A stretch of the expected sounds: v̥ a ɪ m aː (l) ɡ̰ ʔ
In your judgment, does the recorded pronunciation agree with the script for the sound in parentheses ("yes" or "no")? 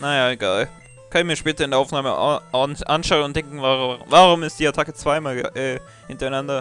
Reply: yes